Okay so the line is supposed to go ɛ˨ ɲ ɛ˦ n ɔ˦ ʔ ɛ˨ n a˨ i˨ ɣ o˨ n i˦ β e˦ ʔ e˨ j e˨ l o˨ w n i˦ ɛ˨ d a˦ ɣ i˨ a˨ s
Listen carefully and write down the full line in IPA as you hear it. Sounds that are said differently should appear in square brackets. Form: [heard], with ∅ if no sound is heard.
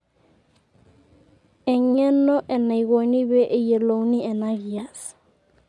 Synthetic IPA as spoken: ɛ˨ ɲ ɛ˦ n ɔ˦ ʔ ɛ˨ n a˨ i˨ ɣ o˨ n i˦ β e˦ ʔ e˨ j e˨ l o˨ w n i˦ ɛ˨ [n] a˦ ɣ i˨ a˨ s